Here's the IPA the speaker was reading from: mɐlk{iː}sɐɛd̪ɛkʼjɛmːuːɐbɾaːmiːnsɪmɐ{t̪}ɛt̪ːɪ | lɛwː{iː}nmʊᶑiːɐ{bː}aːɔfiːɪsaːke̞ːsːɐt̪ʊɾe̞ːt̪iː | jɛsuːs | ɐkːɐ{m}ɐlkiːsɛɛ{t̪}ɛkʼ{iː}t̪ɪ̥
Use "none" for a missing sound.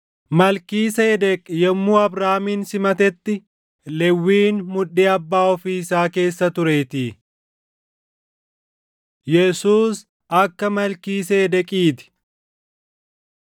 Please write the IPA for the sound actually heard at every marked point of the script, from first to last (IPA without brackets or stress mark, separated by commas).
iː, t̪, iː, bː, m, d̪, iː